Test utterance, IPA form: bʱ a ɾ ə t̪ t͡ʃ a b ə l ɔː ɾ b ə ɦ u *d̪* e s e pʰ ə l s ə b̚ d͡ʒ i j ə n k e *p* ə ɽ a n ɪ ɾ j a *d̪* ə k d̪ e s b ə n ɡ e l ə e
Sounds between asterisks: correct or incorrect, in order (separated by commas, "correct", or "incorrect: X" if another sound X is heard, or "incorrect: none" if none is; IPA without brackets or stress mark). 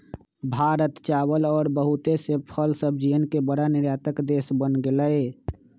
incorrect: t̪, incorrect: b, incorrect: t̪